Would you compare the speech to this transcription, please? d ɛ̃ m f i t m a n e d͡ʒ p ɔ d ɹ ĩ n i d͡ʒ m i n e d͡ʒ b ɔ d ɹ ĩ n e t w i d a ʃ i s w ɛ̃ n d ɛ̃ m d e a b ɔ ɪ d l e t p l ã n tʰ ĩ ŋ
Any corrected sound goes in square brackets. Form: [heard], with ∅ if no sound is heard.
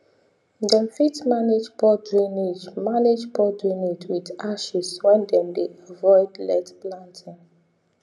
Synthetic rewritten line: d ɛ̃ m f i t m a n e d͡ʒ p ɔ d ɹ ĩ n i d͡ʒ m [a] n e d͡ʒ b ɔ d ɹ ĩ n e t w i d a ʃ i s w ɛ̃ n d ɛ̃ m d e a [v] ɔ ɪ d l [ɛ] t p l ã n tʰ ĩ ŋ